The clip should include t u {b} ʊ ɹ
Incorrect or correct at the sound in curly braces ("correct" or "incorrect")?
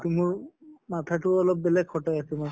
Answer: incorrect